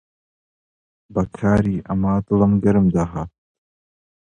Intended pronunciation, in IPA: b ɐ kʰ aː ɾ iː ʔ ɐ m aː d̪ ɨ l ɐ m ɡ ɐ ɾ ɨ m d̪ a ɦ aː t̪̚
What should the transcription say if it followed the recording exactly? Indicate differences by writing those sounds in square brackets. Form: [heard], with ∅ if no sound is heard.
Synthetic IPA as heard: b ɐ kʰ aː ɾ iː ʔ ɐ m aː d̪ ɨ l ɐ m ɡ ɐ ɾ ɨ m d̪ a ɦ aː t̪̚